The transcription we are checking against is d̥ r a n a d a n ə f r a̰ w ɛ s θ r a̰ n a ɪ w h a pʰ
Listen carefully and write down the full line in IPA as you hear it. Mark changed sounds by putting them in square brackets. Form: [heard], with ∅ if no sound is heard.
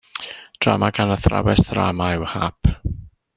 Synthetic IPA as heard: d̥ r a [m] a [ɡ] a n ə [θ] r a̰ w ɛ s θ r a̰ [m] a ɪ w h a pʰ